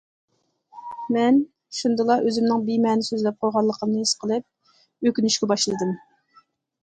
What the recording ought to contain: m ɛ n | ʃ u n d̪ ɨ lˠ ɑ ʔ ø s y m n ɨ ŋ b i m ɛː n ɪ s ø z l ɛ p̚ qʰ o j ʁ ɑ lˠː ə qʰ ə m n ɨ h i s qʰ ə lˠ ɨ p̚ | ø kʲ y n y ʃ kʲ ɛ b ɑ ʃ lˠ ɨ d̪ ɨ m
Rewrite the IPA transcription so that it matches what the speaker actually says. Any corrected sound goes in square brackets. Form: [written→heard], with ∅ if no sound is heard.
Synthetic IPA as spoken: m ɛ n | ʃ u n d̪ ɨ lˠ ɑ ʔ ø [s→z] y m n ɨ ŋ b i m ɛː n ɪ s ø z l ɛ p̚ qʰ o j ʁ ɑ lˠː ə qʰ ə m n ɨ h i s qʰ ə lˠ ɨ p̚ | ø kʲ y n y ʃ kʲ ɛ b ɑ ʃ lˠ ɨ d̪ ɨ m